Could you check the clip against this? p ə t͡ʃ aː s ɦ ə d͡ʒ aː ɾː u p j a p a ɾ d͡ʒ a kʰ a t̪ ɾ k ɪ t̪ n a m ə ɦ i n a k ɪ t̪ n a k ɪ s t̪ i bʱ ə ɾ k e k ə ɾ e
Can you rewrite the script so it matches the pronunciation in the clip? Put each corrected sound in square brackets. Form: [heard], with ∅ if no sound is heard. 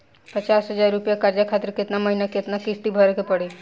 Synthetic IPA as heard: p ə t͡ʃ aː s ɦ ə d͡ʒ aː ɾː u p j a [k] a ɾ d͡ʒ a kʰ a t̪ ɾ k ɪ t̪ n a m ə ɦ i n a k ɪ t̪ n a k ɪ s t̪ i bʱ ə ɾ k e [p] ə [ɽ] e